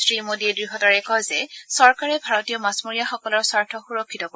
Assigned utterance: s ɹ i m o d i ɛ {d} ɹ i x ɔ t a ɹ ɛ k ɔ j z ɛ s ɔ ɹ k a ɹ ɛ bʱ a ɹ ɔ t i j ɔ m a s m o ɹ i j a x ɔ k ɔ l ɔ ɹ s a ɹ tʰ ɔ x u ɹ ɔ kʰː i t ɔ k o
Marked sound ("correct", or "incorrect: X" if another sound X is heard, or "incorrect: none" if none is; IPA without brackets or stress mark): correct